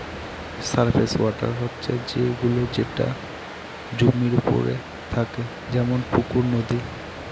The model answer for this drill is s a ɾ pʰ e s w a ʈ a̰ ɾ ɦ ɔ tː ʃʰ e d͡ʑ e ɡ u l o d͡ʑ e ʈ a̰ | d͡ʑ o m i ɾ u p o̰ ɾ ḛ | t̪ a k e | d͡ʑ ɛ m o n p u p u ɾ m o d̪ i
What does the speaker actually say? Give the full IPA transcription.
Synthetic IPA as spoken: s a ɾ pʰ e s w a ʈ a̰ ɾ ɦ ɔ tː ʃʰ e d͡ʑ e ɡ u l o d͡ʑ e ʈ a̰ | d͡ʑ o m i ɾ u p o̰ ɾ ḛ | t̪ʰ a k e | d͡ʑ ɛ m o n p u k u ɾ n o d̪ i